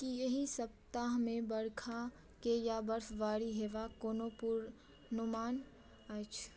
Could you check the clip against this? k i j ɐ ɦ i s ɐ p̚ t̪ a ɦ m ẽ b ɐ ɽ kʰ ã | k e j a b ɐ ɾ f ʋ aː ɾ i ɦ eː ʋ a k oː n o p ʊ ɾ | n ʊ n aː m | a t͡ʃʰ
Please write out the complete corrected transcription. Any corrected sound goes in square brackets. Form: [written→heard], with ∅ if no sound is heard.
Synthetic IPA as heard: k i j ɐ ɦ i s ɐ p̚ t̪ a ɦ m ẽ b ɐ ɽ kʰ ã | k e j a b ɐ ɾ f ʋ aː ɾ i ɦ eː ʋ a k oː n o p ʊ ɾ | n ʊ [n→m] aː [m→n] | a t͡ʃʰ